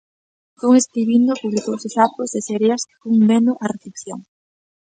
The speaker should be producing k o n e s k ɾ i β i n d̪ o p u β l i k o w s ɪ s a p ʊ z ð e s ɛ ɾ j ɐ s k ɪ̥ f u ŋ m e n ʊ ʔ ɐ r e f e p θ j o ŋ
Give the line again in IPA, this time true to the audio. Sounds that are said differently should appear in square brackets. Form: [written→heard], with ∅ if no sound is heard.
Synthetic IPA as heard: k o [n→ŋ] e s k ɾ i β i n d̪ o p u β l i k o w s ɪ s a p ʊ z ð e s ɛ ɾ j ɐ s k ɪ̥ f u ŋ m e n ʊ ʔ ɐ r e [f→θ] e p θ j o ŋ